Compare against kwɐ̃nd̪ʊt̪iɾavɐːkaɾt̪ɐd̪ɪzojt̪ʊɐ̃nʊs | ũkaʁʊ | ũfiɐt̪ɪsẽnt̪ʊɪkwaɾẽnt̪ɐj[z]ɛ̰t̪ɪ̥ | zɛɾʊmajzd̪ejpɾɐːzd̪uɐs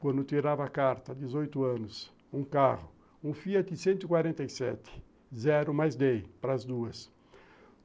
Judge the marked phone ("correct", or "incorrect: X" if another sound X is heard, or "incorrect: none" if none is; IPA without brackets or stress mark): incorrect: s